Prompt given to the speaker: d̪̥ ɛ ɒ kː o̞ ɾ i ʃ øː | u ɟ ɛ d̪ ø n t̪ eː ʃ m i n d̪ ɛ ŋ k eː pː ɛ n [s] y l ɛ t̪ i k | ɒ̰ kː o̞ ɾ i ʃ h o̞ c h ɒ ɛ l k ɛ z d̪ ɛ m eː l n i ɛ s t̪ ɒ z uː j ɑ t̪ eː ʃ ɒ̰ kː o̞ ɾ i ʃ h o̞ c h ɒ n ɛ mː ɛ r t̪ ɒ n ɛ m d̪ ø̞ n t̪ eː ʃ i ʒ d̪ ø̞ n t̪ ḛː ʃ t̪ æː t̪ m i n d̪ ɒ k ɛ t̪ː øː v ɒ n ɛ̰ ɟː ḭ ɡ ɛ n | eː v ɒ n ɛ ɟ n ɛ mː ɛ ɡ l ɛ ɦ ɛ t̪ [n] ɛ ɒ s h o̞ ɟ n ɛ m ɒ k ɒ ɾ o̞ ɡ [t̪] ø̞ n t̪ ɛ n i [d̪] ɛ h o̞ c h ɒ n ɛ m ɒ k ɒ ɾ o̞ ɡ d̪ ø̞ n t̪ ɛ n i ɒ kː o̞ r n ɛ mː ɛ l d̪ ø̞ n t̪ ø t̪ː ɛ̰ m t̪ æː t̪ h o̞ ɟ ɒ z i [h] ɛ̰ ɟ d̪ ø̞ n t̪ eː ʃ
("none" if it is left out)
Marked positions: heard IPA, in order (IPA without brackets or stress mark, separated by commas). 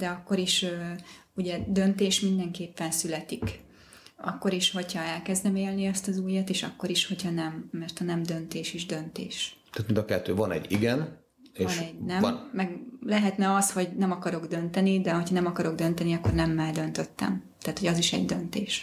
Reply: s, n, d̪, d̪, ʃ